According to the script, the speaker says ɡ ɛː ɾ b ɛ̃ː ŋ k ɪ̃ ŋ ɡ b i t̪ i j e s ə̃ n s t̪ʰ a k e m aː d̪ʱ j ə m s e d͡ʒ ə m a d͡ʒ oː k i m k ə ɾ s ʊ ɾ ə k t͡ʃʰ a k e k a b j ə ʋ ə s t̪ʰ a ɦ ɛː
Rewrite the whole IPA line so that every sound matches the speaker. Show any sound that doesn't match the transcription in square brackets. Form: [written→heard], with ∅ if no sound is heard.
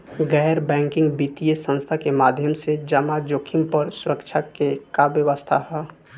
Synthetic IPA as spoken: ɡ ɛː ɾ b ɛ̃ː ŋ k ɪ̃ ŋ ɡ b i t̪ i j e s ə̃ n s t̪ʰ a k e m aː d̪ʱ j ə m s e d͡ʒ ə m a d͡ʒ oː [k→kʰ] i m [k→p] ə ɾ s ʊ ɾ ə k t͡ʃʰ a k e k a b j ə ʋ ə s t̪ʰ a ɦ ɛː